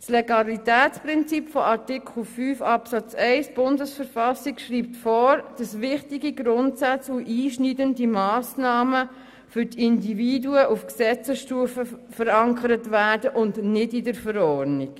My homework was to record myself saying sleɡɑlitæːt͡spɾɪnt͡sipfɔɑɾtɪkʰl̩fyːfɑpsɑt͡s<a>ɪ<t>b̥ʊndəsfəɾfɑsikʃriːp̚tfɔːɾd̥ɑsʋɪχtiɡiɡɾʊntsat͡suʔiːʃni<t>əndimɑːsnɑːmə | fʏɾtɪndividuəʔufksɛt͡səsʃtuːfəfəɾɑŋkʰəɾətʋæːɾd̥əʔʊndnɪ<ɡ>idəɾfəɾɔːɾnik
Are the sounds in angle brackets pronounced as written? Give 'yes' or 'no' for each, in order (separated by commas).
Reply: no, no, no, no